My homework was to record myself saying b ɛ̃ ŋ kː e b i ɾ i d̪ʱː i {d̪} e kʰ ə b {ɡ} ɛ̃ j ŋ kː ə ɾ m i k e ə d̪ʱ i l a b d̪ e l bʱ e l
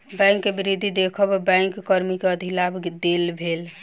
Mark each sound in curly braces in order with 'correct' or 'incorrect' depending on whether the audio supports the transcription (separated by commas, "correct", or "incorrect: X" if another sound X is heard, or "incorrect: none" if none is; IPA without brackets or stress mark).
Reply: correct, incorrect: b